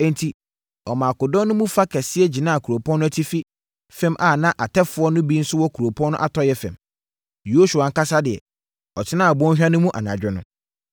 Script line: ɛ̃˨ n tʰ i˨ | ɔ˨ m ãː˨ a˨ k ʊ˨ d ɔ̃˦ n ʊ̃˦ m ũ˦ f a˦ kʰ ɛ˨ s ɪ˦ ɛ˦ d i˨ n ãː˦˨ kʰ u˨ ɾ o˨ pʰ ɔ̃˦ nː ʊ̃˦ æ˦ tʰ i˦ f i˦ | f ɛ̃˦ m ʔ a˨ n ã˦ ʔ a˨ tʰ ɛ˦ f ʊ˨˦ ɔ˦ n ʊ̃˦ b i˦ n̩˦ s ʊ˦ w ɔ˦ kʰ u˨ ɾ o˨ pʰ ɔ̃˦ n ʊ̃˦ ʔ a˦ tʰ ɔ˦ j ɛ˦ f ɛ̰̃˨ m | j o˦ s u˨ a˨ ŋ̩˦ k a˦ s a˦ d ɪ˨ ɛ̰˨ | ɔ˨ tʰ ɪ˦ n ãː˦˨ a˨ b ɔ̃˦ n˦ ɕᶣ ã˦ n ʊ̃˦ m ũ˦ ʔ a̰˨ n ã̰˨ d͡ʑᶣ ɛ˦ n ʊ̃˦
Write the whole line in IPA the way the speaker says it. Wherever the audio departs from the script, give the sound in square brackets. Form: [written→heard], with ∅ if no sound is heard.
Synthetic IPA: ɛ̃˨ n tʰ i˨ | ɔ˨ m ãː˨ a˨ k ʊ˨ d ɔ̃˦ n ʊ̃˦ m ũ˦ f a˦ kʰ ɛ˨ s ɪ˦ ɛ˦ [d→d͡ʑ] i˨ n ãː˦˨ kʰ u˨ ɾ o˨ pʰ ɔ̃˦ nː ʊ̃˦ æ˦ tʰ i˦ f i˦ | f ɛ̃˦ m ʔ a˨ n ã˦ ʔ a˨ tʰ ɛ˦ f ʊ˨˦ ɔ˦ n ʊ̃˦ b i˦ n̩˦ s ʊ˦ w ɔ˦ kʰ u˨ ɾ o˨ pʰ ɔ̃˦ n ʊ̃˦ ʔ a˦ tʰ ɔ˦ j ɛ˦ f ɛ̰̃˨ m | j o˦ s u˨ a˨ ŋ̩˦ k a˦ s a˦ d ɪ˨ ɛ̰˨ | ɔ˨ tʰ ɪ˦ n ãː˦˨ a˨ b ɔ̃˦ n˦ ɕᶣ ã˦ n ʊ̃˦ m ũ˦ ʔ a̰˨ n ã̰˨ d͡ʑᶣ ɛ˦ n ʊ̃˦